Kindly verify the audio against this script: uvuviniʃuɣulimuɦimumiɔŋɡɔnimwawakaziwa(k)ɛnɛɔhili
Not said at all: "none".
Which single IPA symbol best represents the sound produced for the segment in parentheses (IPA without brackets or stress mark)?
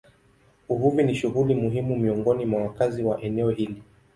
ʔ